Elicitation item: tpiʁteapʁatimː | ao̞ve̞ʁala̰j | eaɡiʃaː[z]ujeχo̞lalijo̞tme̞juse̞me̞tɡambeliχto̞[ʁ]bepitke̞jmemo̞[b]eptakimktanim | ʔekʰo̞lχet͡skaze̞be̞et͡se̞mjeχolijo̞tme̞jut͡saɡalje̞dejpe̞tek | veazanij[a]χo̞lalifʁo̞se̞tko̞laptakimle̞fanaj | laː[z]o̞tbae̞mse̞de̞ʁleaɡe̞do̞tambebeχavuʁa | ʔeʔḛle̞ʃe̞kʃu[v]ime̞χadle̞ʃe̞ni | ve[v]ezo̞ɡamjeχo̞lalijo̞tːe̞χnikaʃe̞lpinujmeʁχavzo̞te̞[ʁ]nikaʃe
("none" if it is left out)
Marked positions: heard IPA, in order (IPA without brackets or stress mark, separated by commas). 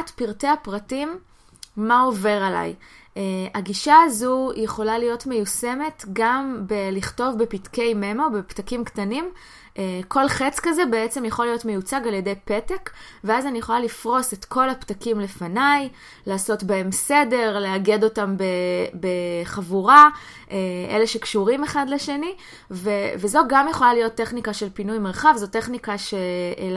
z, v, b, e, s, ʁ, v, χ